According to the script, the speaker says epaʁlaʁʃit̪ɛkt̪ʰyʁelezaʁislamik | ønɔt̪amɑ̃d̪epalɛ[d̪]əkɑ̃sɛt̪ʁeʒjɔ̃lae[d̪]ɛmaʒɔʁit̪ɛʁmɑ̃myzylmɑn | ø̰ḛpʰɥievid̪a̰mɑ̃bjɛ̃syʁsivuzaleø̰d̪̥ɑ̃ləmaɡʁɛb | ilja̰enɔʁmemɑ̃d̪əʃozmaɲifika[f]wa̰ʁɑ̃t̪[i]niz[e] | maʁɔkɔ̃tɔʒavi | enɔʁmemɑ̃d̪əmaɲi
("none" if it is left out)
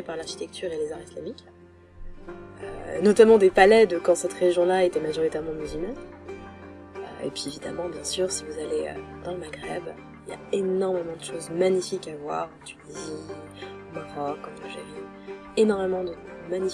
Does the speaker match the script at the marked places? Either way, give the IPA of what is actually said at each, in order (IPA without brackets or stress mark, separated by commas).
d̪, t̪, v, y, i